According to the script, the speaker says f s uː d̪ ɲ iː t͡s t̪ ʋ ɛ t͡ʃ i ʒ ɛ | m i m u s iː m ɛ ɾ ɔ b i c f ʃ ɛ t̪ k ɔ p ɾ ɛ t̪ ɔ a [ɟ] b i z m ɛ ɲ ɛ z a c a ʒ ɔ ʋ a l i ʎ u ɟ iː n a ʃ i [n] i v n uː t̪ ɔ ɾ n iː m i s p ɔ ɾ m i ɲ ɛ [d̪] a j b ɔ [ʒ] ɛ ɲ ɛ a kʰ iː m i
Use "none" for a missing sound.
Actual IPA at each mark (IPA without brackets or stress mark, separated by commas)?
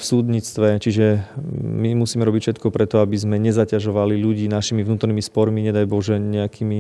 none, m, d̪, ʒ